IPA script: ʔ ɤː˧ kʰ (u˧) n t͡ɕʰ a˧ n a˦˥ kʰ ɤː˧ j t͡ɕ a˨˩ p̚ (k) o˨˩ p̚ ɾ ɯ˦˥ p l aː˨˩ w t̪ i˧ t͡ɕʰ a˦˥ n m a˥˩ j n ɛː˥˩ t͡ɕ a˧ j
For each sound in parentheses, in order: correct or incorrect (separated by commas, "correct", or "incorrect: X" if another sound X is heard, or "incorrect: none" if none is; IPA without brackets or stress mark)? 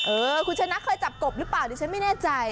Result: correct, correct